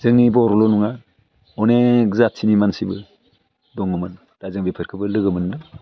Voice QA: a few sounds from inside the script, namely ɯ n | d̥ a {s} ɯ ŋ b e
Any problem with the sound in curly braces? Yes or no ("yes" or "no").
yes